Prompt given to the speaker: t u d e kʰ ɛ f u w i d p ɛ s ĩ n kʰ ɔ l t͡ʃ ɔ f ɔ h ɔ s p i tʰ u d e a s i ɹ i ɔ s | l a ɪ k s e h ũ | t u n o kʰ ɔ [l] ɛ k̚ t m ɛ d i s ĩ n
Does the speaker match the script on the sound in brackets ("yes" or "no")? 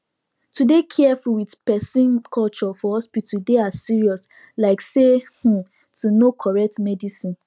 no